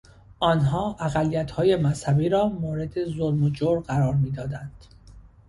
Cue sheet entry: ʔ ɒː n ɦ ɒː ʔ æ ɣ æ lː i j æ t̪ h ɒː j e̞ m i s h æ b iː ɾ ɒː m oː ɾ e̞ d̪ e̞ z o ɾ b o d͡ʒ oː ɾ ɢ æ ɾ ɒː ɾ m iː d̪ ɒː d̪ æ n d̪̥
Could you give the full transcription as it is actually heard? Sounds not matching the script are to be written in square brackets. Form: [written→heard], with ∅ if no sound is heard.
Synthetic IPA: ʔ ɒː n ɦ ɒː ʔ æ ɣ æ lː i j æ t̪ h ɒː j e̞ m [i→æ] s h æ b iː ɾ ɒː m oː ɾ e̞ d̪ e̞ z o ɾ [b→m] o d͡ʒ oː ɾ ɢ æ ɾ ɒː ɾ m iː d̪ ɒː d̪ æ n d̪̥